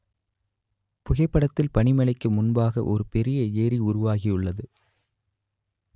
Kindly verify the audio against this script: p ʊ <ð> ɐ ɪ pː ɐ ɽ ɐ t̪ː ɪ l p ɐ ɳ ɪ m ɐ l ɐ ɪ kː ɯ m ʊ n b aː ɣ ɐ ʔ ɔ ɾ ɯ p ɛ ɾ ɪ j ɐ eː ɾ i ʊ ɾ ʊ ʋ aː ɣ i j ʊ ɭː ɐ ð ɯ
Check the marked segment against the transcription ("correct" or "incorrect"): incorrect